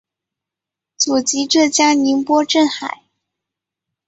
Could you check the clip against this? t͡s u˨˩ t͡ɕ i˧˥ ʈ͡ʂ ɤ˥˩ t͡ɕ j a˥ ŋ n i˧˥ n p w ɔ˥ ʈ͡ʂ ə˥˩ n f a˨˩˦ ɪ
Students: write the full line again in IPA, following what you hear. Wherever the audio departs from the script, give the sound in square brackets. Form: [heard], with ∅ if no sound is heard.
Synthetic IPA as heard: t͡s u˨˩ t͡ɕ i˧˥ ʈ͡ʂ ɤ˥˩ t͡ɕ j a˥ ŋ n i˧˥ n p w ɔ˥ ʈ͡ʂ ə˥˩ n [x] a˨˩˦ ɪ

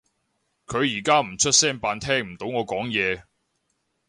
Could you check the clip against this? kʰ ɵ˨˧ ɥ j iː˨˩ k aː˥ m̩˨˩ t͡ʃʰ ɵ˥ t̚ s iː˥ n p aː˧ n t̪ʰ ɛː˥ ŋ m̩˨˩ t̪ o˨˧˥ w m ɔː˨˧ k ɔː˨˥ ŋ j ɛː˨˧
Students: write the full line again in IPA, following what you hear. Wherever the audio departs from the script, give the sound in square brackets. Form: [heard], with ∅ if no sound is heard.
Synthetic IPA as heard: kʰ ɵ˨˧ ɥ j iː˨˩ k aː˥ m̩˨˩ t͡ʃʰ ɵ˥ t̚ s [ɛː˥] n p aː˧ n t̪ʰ ɛː˥ ŋ m̩˨˩ t̪ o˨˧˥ w [ŋ] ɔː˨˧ k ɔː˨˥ ŋ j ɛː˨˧

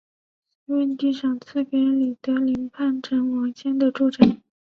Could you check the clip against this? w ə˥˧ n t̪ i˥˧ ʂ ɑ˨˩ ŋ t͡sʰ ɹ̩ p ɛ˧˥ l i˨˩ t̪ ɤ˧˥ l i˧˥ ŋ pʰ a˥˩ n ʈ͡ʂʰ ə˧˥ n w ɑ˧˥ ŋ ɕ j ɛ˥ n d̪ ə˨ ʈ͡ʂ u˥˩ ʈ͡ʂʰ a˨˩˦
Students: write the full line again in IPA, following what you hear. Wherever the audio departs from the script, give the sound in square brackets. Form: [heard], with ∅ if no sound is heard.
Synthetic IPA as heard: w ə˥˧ n t̪ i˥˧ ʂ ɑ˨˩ ŋ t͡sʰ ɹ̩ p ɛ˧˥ l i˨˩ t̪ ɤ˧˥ l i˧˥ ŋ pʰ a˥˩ n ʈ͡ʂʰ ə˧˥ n w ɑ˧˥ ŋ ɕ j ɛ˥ n d̪ ə˨ ʈ͡ʂ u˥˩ [ʈ͡ʂ] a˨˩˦

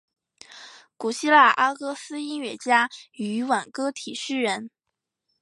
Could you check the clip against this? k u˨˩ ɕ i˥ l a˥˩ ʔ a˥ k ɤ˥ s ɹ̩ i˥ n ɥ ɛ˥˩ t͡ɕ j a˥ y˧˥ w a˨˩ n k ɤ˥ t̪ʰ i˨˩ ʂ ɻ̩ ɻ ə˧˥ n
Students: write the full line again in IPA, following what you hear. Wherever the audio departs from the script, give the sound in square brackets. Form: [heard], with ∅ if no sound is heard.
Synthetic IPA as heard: k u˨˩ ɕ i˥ l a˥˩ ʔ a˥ k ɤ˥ s ɹ̩ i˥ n ɥ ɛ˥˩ t͡ɕ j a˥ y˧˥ w a˨˩ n k ɤ˥ t̪ʰ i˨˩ ʂ ɻ̩ ɻ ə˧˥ n

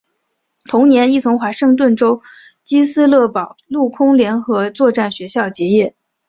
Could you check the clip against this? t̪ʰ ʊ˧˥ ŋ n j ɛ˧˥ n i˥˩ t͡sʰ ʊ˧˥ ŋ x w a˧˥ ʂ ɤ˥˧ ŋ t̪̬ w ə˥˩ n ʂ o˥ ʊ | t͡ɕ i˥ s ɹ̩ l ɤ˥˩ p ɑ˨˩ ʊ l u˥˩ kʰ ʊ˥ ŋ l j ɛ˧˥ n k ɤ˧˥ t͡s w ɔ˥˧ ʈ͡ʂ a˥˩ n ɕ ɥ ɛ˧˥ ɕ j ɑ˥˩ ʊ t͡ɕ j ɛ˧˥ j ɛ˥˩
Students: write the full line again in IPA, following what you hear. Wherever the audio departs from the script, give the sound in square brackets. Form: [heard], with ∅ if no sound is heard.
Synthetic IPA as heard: t̪ʰ ʊ˧˥ ŋ n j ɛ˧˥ n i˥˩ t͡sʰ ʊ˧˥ ŋ x w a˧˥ ʂ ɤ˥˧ ŋ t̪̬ w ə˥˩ n [ʈ͡ʂ] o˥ ʊ | t͡ɕ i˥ s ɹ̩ l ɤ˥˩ p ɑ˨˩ ʊ l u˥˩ kʰ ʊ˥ ŋ l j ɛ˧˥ n [x] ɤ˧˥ t͡s w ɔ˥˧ ʈ͡ʂ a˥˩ n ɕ ɥ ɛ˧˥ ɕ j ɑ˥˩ ʊ t͡ɕ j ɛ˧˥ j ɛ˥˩

